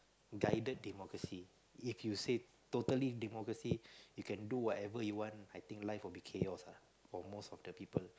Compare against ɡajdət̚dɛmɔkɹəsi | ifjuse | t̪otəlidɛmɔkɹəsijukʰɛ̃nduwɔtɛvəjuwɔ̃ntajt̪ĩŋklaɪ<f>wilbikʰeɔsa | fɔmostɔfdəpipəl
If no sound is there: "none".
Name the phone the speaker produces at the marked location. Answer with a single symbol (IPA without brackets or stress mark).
f